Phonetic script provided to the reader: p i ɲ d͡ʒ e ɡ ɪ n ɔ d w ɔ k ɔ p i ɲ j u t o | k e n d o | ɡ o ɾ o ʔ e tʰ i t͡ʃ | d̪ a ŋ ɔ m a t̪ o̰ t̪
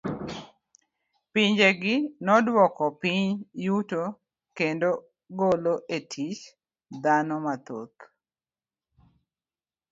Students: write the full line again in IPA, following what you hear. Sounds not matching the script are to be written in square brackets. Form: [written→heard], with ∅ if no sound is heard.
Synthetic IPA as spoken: p i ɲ d͡ʒ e ɡ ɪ n ɔ d w ɔ k ɔ p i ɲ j u t o | k e n d o | ɡ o [ɾ→l] o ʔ e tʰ i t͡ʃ | d̪ a [ŋ→n] ɔ m a t̪ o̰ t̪